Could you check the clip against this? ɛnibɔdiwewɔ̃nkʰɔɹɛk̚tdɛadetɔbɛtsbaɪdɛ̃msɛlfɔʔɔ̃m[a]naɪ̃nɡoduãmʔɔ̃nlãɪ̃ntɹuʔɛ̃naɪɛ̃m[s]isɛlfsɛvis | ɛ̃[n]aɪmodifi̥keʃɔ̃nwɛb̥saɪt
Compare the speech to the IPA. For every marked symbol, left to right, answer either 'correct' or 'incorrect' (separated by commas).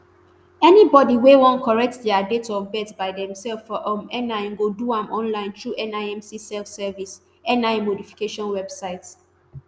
incorrect, correct, correct